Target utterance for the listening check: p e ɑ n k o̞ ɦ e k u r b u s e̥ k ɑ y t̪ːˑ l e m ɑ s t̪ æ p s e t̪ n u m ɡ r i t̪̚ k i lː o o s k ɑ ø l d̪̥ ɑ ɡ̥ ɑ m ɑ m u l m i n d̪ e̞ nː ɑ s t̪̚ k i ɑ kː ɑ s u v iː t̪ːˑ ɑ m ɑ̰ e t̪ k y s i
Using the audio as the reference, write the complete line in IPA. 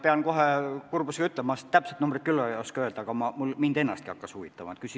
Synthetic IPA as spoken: p e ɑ n k o̞ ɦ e k u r b u s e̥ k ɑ y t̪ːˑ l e m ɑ s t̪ æ p s e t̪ n u m b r i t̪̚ k y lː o o s k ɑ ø l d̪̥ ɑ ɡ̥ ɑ m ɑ m u l m i n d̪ e̞ nː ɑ s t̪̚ k i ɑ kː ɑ s u v i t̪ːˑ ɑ m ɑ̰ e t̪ k y s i